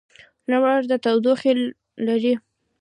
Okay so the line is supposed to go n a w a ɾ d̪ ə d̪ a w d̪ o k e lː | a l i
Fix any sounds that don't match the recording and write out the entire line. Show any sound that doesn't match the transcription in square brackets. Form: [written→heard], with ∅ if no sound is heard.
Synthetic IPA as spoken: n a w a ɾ d̪ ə [d̪→t̪] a w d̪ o [k→x] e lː | a [l→ɾ] i